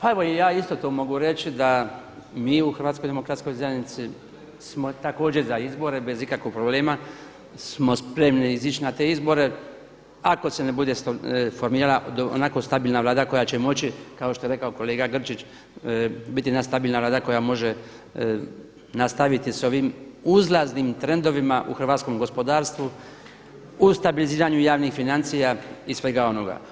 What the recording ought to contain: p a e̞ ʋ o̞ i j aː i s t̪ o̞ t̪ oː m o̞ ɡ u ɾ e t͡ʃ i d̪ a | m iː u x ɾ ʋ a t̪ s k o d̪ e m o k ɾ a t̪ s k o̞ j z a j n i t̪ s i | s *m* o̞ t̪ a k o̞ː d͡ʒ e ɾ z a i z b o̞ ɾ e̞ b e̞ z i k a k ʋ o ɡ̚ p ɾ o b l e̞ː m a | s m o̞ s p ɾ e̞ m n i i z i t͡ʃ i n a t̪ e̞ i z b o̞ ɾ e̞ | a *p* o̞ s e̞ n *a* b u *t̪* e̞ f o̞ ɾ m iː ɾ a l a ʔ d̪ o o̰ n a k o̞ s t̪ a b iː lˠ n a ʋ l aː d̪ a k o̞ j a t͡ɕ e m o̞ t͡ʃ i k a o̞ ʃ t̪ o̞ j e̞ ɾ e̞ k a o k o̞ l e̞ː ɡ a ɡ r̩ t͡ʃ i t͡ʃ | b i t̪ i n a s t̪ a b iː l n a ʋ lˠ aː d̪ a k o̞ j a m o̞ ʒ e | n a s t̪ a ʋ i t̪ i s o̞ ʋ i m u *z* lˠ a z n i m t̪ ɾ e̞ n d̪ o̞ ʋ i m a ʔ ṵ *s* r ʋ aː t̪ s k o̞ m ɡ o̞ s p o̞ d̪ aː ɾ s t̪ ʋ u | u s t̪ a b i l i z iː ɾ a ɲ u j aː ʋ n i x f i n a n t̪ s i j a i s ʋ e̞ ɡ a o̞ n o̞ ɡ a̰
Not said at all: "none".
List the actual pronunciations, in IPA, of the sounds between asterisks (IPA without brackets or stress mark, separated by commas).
m, k, e, d̪, z, x